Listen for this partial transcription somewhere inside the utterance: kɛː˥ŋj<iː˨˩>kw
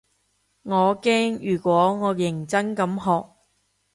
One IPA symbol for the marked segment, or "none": yː˨˩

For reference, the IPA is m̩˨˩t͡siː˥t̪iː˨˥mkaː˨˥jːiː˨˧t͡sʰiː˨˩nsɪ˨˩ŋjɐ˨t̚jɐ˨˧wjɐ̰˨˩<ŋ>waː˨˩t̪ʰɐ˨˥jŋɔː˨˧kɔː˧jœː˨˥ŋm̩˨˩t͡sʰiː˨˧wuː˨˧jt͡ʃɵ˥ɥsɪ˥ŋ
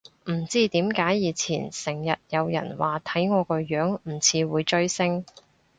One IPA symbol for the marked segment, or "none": n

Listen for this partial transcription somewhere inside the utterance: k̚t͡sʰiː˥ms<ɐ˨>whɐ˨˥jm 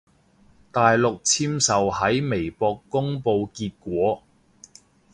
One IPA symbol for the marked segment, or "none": ɐ˨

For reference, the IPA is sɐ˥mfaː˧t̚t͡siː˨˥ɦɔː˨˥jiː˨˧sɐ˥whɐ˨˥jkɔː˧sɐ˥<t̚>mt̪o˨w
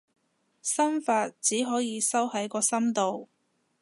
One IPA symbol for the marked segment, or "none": none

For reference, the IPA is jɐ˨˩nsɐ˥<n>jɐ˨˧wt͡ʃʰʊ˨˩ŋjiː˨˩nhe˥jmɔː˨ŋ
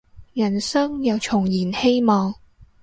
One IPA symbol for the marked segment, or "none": ŋ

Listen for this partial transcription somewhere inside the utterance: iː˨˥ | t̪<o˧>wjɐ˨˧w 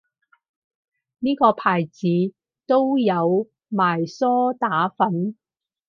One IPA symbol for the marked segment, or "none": o˥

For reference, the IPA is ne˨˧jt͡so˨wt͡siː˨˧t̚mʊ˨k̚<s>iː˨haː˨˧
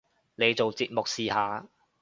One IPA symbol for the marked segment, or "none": s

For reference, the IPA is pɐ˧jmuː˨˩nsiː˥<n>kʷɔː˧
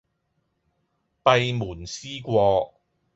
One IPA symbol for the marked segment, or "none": none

